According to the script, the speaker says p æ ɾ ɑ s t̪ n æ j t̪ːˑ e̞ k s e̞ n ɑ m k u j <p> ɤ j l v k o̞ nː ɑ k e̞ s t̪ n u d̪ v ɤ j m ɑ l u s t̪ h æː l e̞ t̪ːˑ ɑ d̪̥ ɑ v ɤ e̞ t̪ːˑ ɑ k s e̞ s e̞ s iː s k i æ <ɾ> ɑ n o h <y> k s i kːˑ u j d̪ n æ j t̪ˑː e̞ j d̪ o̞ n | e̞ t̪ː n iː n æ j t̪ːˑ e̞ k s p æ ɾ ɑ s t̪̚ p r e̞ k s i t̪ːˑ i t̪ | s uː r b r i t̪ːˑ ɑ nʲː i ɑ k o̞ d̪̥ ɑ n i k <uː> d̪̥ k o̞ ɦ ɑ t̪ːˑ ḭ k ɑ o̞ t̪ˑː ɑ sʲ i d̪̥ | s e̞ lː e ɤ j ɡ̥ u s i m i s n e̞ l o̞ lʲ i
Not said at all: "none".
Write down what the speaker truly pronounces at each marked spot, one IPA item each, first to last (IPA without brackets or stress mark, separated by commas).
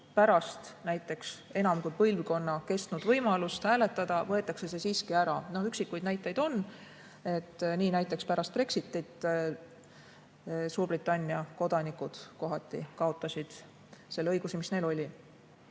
p, ɾ, y, u